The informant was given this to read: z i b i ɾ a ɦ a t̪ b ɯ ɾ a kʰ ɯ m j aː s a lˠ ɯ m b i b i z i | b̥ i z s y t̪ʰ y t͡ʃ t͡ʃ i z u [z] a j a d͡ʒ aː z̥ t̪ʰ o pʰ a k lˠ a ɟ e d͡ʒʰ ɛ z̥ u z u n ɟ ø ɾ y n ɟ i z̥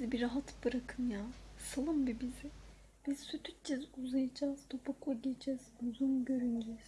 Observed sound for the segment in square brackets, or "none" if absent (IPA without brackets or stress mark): z